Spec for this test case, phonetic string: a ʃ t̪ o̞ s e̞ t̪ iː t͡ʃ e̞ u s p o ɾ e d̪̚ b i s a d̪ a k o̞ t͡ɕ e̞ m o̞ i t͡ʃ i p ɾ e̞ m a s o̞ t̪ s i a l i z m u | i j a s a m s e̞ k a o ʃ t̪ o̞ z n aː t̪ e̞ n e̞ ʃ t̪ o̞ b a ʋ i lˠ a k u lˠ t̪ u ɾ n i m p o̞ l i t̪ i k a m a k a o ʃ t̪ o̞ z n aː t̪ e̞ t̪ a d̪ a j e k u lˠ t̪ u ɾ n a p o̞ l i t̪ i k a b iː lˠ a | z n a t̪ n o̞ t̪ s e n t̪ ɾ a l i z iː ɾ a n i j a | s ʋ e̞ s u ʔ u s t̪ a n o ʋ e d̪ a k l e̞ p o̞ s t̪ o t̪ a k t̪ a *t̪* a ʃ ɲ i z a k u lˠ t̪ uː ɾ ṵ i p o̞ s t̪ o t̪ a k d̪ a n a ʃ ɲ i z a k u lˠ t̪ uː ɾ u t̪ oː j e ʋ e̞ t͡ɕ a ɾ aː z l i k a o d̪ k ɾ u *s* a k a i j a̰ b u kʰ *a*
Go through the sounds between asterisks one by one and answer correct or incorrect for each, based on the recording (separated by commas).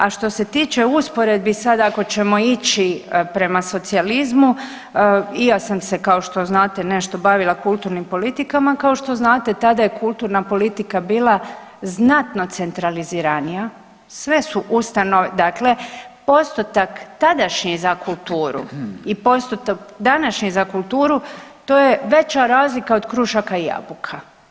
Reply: incorrect, incorrect, correct